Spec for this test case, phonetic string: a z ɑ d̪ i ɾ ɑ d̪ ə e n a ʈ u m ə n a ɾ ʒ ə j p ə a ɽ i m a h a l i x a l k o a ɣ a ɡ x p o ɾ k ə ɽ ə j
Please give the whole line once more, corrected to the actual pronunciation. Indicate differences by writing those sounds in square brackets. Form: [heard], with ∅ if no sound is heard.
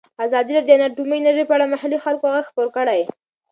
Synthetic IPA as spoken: a z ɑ d̪ i ɾ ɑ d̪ ə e n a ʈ u m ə n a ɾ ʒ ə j p ə a ɽ [a] m a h a l i x a l k o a ɣ a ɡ x p o ɾ k ə ɽ [a] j